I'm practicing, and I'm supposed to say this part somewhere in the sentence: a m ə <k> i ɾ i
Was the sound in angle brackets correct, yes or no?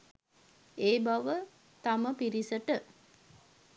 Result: no